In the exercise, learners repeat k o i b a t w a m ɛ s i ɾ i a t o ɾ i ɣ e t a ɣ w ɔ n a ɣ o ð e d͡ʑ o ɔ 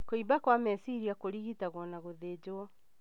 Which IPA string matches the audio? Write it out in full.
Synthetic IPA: k o i b a k w a m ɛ s i ɾ i a k o ɾ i ɣ i t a ɣ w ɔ n a ɣ o ð e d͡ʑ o ɔ